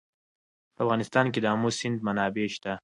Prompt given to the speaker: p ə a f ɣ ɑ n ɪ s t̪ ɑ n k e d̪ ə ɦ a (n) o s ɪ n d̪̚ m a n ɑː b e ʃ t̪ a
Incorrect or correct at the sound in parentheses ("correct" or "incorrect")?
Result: incorrect